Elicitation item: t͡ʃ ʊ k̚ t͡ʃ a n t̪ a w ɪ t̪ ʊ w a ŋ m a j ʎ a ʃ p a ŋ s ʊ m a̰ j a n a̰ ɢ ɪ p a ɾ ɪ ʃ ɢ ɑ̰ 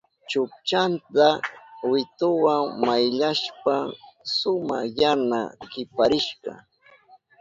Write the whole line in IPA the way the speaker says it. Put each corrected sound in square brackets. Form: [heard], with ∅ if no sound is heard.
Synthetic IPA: t͡ʃ ʊ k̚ t͡ʃ a n t̪ a w ɪ t̪ ʊ w a ŋ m a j ʎ a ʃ p a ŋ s ʊ m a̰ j a n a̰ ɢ ɪ p a ɾ ɪ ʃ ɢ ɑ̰

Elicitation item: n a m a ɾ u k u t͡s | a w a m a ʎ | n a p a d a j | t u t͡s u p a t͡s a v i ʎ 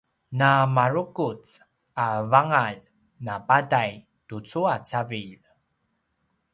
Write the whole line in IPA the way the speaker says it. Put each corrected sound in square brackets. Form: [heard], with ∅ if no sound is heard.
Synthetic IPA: n a m a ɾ u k u t͡s | a [v] a [ŋ] a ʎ | n a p a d a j | t u t͡s u [∅] a t͡s a v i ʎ

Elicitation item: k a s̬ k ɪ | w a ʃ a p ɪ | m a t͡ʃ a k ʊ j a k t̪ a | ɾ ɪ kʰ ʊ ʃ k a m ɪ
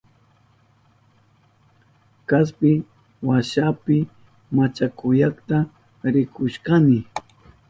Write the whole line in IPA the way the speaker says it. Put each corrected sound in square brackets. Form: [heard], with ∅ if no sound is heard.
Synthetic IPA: k a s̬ [p] ɪ | w a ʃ a p ɪ | m a t͡ʃ a k ʊ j a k t̪ a | ɾ ɪ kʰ ʊ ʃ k a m ɪ

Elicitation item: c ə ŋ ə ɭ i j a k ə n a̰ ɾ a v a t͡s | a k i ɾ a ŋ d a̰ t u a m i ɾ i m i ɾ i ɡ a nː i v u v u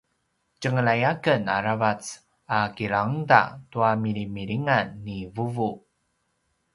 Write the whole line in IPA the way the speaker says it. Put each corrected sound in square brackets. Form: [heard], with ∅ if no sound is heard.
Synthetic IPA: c ə ŋ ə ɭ [a] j a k ə n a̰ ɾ a v a t͡s | a k i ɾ a ŋ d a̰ t u a m i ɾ i m i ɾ i [ŋ] a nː i v u v u

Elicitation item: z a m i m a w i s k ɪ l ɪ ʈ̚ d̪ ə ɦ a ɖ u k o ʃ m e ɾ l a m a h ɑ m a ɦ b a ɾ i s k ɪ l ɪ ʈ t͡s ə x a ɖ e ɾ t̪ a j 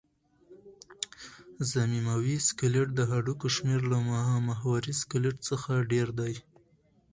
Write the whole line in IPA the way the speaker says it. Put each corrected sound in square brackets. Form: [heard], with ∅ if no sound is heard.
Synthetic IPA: z a m i m a w i s k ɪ l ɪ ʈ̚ d̪ ə ɦ a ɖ u k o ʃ m e ɾ l a m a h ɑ m a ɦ [w] a ɾ i s k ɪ l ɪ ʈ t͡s ə x a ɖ e ɾ [d̪] a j

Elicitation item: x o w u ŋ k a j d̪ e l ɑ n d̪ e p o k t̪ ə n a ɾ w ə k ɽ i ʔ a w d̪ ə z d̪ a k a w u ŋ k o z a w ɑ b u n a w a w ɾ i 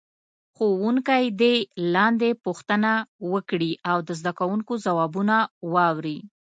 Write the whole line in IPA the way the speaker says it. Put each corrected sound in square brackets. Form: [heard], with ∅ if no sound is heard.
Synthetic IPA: x o w u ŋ k a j d̪ e l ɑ n d̪ e p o [x] t̪ ə n a [∅] w ə k ɽ i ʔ a w d̪ ə z d̪ a k a w u ŋ k o z a w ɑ b u n a w [ɑ] w ɾ i

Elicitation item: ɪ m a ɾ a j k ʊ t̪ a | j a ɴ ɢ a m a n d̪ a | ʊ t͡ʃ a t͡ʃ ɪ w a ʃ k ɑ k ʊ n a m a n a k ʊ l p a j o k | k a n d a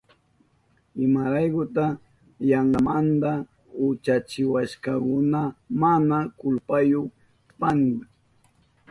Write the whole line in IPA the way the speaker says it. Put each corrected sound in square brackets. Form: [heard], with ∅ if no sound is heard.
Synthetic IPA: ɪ m a ɾ a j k ʊ t̪ a | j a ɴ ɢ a m a n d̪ a | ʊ t͡ʃ a t͡ʃ ɪ w a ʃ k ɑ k ʊ n a m a n a k ʊ l p a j o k | [p] a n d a

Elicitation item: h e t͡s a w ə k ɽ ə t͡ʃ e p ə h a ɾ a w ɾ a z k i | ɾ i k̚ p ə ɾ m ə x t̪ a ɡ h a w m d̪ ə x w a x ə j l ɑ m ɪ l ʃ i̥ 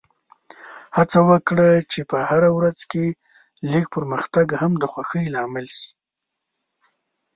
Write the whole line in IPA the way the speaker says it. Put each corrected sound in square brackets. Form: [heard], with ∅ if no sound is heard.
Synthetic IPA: h [a] t͡s a w ə k ɽ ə t͡ʃ e p ə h a ɾ a w ɾ a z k [e] | [l] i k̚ p ə ɾ m ə x t̪ a ɡ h a [∅] m d̪ ə x w a x ə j l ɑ m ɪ l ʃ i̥

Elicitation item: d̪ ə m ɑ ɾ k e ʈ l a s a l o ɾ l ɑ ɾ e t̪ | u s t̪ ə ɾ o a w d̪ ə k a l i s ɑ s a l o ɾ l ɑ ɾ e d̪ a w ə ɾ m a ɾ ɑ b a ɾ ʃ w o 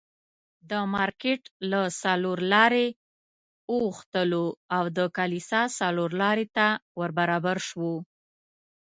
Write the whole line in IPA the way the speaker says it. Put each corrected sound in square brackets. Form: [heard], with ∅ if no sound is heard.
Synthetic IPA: d̪ ə m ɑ ɾ k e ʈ l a s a l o ɾ l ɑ ɾ e [∅] | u [x] t̪ ə [l] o a w d̪ ə k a l i s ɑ s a l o ɾ l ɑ ɾ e [t̪] a w ə ɾ [b] a ɾ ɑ b a ɾ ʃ w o

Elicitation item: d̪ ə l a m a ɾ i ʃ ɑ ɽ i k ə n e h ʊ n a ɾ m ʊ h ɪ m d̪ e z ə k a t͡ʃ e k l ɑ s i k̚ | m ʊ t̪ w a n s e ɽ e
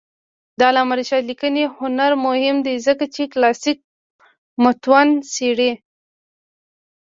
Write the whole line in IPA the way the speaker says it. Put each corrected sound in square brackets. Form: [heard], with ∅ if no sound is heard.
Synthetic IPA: d̪ [ɑ] l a m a ɾ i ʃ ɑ [l] i k ə n e h ʊ n a ɾ m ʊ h ɪ m d̪ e z ə k a t͡ʃ e k l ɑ s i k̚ | m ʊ t̪ w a n s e ɽ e

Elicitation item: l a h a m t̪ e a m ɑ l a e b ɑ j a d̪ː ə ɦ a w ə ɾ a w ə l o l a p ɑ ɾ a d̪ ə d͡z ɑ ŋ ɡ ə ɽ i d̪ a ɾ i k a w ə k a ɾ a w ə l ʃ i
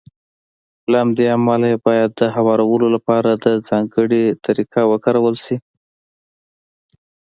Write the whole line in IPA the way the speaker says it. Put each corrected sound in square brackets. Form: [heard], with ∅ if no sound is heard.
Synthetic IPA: l a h a m [d̪] e a m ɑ l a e b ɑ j a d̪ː ə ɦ a w [ɑ] ɾ a w ə l o l a p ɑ ɾ a d̪ ə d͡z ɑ ŋ ɡ ə ɽ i [t̪] a ɾ i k a w ə k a ɾ a w ə l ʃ i

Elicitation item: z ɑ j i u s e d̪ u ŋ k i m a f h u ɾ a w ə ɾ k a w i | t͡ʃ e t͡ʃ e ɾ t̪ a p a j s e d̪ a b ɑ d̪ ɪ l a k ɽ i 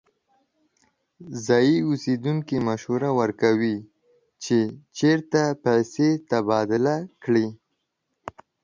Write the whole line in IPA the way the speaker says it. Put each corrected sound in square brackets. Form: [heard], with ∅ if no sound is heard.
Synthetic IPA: z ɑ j i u s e d̪ u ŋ k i m a [ʃ] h u ɾ a w ə ɾ k a w i | t͡ʃ e t͡ʃ e ɾ t̪ a p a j s e [t̪] a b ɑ d̪ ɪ l a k ɽ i

